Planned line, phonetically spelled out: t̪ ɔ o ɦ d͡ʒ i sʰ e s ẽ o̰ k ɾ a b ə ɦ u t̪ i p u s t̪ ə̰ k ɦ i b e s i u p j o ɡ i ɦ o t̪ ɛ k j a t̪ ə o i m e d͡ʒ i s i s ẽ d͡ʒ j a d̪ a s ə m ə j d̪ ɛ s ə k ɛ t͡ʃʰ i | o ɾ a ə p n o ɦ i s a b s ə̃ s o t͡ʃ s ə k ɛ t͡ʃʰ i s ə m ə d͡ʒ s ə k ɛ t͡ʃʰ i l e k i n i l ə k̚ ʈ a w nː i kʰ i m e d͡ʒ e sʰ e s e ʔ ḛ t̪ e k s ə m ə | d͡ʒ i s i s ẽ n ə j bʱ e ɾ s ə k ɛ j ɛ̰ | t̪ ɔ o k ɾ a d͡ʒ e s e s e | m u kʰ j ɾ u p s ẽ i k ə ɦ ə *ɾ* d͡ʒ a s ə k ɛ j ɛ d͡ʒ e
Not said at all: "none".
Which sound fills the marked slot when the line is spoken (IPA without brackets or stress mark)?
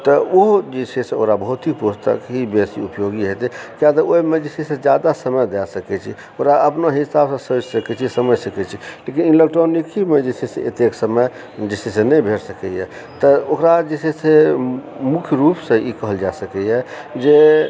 l